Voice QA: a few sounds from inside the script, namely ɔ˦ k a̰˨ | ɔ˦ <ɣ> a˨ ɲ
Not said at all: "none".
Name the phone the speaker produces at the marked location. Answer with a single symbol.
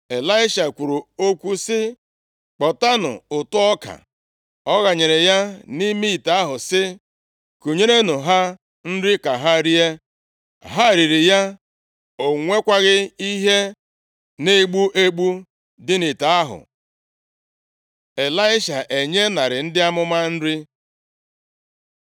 ɣ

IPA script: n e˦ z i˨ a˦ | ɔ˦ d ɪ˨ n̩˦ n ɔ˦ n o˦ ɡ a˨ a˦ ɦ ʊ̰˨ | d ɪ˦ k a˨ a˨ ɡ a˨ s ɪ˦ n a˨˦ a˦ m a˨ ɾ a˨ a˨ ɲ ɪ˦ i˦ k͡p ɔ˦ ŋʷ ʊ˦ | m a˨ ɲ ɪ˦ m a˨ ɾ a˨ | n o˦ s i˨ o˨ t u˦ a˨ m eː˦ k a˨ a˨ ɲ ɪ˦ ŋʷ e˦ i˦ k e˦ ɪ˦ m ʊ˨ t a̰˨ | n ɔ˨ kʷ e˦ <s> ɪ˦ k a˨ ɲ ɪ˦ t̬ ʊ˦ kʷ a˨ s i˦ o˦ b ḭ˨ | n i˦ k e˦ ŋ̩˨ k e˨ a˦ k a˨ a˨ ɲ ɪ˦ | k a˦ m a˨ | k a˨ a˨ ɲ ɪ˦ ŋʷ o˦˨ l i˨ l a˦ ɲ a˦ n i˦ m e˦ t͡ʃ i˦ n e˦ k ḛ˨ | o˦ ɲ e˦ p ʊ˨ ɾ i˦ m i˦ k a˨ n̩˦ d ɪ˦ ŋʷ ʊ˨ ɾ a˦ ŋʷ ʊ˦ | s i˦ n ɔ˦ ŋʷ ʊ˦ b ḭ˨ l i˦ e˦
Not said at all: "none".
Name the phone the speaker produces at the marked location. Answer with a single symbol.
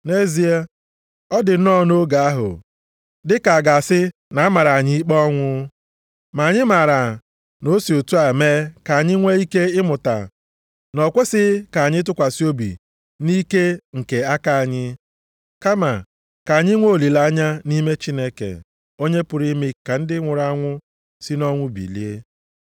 s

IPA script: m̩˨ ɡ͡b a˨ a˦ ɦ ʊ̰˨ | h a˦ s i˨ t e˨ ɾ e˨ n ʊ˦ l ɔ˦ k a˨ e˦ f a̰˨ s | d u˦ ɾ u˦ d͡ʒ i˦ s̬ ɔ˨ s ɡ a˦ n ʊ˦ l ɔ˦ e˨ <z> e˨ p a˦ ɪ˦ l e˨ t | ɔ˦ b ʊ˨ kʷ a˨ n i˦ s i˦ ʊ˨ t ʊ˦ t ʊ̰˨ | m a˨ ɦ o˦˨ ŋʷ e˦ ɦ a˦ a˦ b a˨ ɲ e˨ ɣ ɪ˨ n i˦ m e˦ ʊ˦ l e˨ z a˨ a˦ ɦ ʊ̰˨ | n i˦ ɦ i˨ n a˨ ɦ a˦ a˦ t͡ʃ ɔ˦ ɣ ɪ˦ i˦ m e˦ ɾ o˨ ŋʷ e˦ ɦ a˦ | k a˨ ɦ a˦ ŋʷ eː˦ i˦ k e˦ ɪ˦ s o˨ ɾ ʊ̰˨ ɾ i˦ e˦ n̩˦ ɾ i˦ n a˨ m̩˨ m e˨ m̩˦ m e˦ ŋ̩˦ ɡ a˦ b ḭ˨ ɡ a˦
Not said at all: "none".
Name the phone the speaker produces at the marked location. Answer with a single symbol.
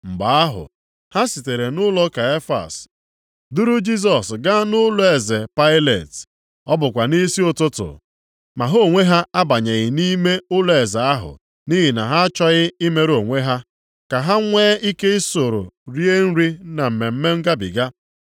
z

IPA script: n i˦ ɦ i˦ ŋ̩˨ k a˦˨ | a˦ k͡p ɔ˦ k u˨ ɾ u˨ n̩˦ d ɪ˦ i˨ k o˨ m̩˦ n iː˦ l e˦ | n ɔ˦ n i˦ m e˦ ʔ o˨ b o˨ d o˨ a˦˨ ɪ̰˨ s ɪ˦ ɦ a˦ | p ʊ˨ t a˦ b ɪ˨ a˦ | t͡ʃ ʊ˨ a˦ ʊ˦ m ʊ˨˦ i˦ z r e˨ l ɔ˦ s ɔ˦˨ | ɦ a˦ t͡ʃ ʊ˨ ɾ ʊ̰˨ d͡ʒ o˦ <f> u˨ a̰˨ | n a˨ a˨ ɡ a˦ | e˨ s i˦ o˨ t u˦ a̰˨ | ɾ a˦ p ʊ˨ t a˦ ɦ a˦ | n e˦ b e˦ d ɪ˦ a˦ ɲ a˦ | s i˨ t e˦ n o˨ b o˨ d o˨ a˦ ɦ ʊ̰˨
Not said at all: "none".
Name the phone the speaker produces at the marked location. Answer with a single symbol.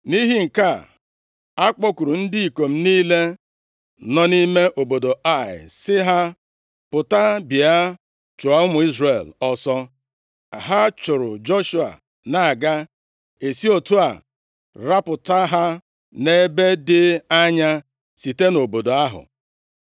ʃ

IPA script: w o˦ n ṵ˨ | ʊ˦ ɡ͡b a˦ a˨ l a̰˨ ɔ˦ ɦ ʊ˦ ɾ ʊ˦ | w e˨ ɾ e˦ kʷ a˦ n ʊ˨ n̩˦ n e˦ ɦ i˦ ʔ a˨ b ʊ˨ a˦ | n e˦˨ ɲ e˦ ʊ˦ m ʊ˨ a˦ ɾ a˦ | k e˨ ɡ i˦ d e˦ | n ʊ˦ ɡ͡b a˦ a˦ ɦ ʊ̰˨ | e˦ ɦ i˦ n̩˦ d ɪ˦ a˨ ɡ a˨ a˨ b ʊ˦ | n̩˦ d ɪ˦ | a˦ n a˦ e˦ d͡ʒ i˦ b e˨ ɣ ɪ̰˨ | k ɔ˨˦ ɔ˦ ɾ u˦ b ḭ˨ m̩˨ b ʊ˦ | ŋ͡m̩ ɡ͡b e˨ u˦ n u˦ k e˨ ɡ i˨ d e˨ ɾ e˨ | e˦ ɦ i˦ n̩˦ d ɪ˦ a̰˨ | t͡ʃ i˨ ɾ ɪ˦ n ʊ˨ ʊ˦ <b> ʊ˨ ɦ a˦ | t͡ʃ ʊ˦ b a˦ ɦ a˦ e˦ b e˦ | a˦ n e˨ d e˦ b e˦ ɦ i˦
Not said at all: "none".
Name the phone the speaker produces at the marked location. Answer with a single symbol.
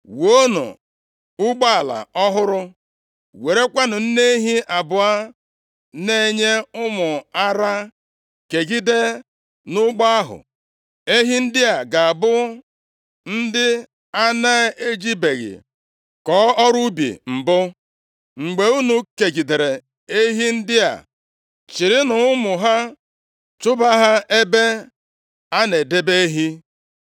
m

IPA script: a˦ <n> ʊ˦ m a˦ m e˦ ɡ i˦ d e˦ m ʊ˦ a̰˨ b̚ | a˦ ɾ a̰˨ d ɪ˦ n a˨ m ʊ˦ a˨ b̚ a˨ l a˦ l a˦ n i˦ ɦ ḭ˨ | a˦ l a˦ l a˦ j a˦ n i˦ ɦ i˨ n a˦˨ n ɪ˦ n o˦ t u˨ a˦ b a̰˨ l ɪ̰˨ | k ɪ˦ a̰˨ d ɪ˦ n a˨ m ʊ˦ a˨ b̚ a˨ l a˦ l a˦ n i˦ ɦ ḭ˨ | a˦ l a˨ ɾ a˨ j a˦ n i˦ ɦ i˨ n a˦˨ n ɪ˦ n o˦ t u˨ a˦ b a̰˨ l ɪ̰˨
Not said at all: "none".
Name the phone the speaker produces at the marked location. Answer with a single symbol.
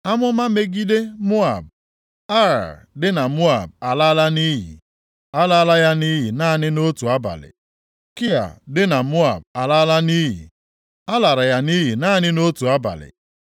m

